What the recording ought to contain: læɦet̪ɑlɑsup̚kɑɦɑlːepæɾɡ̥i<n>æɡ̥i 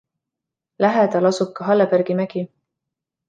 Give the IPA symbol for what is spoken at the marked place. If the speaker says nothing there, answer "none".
m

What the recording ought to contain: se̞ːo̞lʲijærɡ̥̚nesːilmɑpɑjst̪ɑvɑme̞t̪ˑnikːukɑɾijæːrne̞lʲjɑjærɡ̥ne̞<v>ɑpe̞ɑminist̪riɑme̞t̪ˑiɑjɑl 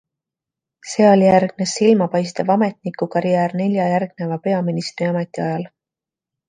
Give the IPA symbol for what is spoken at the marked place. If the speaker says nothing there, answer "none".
v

